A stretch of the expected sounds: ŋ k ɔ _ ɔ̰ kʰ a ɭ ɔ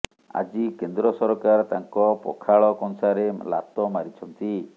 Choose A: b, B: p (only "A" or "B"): B